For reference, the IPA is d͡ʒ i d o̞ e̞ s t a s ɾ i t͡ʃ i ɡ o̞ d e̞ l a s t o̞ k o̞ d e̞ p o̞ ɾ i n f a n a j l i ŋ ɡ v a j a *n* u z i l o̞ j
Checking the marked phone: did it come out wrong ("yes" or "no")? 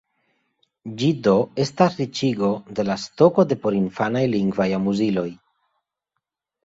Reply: yes